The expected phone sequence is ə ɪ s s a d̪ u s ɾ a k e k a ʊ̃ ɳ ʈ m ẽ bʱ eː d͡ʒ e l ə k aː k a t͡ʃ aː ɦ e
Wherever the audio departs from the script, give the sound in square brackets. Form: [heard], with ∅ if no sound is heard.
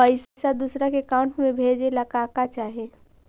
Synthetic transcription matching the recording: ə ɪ s s a d̪ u s ɾ a k e k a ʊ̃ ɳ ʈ m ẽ bʱ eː d͡ʒ e l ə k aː k a t͡ʃ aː ɦ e